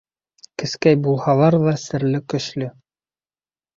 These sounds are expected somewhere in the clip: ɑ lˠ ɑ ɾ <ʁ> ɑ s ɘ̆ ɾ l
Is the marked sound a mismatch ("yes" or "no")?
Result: yes